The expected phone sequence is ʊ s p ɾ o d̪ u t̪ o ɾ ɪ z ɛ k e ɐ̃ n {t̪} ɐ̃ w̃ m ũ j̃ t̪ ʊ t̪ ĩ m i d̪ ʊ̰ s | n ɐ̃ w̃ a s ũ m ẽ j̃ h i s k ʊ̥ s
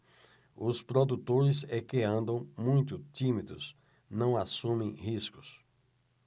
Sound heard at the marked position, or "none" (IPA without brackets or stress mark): d̪